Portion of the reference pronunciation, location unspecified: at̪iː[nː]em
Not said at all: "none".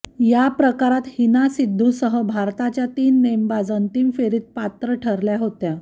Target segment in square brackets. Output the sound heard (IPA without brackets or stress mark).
nː